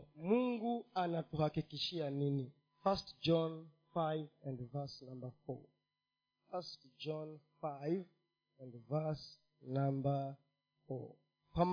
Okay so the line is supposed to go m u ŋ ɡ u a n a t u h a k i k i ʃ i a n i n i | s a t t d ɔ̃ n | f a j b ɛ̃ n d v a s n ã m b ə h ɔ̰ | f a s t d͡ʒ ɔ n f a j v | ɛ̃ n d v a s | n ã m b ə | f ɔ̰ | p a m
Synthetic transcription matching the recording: m u ŋ ɡ u a n a t u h a k i k i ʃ i a n i n i | f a s t d͡ʒ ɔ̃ n | f a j v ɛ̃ n d v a s n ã m b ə f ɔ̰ | f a s t d͡ʒ ɔ n f a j v | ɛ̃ n d v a s | n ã m b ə | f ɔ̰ | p a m